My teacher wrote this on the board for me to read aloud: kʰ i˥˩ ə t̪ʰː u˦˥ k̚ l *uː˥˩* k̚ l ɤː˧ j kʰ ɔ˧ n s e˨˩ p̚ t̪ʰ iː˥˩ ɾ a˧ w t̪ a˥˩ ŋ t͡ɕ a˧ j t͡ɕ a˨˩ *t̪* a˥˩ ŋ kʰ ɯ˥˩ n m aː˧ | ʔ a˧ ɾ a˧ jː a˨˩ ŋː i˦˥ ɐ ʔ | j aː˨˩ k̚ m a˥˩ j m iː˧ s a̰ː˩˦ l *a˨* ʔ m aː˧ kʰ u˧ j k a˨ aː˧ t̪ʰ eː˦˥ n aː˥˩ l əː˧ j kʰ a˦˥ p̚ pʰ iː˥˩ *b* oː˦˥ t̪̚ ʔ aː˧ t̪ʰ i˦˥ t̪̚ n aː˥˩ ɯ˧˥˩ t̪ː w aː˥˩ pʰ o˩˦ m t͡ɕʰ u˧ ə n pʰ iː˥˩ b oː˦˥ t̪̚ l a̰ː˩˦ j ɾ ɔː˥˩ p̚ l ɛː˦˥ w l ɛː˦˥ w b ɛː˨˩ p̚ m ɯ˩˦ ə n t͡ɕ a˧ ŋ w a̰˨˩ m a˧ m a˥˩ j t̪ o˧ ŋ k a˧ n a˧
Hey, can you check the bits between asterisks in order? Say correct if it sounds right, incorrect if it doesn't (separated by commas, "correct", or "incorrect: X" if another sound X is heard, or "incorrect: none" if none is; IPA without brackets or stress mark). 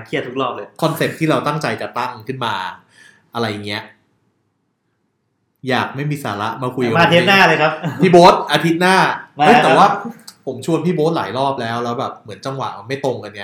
incorrect: ɔː˥˩, correct, incorrect: a˦˥, correct